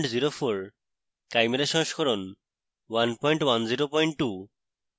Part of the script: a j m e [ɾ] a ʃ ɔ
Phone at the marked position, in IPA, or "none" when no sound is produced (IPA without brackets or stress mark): ɾ